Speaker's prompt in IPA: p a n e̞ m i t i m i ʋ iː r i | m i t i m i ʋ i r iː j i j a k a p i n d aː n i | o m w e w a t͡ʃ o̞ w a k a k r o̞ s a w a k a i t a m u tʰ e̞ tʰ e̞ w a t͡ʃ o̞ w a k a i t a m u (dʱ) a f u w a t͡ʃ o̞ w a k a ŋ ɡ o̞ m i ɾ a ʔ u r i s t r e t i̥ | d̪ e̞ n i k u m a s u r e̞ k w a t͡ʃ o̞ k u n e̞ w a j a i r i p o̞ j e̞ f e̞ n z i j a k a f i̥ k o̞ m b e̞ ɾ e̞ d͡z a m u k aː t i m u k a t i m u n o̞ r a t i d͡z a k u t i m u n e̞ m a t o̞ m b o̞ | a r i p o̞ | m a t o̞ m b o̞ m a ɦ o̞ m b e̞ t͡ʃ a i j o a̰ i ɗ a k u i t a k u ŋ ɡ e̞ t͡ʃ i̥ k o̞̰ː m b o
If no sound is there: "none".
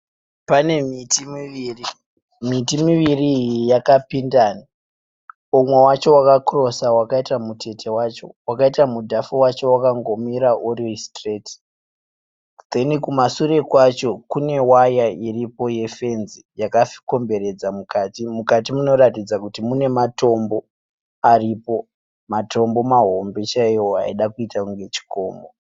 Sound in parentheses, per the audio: dʱ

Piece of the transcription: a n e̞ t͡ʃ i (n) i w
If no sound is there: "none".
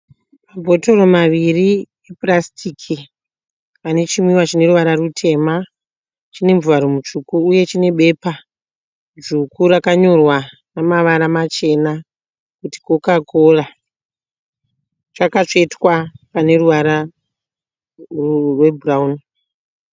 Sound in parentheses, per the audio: m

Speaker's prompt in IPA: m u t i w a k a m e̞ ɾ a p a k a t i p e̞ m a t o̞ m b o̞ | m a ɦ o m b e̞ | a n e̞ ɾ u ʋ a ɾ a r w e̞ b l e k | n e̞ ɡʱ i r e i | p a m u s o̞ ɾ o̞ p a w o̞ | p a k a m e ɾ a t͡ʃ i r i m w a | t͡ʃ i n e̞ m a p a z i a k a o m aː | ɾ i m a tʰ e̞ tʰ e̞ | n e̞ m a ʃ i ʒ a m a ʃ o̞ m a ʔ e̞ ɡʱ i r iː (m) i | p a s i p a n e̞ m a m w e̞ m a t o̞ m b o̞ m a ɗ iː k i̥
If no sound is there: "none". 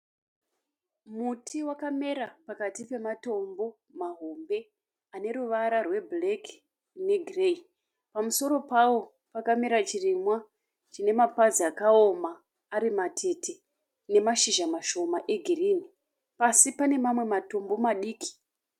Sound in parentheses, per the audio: n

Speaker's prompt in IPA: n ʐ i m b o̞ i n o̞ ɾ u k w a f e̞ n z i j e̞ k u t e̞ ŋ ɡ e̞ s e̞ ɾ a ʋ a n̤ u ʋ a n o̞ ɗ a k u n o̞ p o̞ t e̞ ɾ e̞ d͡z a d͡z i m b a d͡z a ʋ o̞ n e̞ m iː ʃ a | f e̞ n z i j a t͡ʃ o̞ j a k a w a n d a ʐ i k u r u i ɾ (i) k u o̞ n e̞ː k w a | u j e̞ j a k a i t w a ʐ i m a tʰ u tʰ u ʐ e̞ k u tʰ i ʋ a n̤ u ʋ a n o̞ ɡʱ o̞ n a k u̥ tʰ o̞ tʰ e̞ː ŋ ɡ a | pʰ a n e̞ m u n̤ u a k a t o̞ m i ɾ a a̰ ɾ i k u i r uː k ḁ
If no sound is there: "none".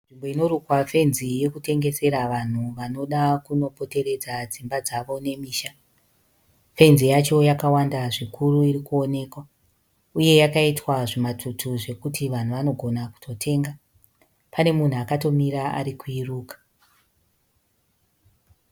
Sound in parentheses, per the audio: i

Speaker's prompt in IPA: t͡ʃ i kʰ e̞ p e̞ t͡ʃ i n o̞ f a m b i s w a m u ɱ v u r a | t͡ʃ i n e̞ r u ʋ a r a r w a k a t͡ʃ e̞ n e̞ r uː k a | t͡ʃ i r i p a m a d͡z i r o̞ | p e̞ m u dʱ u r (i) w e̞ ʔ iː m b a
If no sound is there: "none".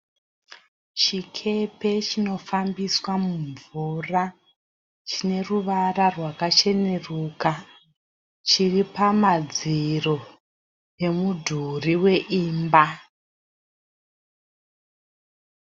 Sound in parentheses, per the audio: i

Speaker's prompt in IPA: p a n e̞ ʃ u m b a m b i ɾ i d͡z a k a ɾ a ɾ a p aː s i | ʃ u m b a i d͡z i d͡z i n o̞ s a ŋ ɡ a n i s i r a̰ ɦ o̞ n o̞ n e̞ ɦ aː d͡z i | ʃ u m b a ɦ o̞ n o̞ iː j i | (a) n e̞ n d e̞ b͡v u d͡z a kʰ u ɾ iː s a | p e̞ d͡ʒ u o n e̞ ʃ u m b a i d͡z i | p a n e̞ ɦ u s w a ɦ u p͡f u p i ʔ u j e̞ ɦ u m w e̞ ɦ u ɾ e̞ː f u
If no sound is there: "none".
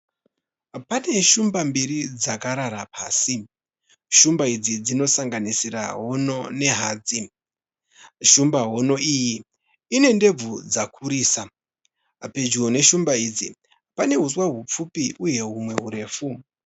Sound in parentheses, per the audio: i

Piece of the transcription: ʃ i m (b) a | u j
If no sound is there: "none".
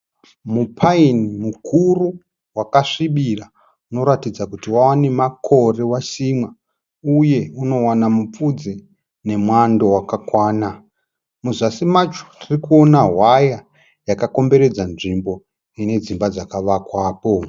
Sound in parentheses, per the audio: w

